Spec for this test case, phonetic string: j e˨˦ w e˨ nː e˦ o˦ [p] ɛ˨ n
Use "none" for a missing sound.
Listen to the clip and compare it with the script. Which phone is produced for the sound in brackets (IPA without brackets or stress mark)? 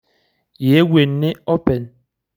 p